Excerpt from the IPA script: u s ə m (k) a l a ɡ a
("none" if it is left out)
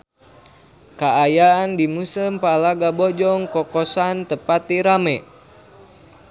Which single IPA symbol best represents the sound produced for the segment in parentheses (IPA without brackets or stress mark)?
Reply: p